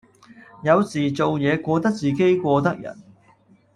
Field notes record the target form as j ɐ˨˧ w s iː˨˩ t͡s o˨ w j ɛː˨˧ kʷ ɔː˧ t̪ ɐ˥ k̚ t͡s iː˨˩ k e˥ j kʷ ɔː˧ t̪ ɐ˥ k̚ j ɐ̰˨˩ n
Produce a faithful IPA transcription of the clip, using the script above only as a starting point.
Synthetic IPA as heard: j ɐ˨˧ w s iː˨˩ t͡s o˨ w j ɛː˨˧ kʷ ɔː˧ t̪ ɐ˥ k̚ t͡s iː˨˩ k e˥ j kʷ ɔː˧ t̪ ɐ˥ k̚ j ɐ̰˨˩ n